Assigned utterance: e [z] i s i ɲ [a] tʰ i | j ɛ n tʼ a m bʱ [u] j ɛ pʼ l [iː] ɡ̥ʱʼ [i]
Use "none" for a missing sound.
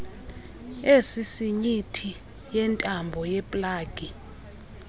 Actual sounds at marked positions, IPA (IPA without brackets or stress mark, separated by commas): s, i, ɔ, aː, i